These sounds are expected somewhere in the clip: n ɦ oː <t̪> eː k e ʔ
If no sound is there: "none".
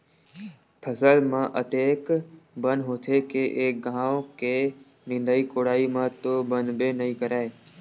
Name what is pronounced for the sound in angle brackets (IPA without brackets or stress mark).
t̪ʰ